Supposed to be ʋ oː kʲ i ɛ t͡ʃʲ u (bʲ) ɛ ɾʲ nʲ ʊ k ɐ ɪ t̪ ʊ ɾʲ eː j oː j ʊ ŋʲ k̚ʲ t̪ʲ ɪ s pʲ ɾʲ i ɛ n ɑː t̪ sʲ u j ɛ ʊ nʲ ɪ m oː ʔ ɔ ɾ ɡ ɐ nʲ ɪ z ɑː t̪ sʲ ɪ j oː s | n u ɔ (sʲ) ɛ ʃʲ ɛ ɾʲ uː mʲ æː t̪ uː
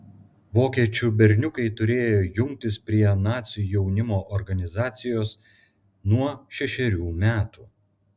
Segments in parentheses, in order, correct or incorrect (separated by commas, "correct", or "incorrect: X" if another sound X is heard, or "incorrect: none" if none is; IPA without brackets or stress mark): correct, incorrect: ʃʲ